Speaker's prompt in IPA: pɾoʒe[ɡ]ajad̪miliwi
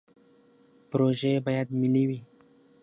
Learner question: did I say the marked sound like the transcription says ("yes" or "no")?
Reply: no